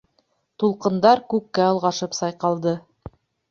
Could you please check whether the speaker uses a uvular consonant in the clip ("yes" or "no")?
yes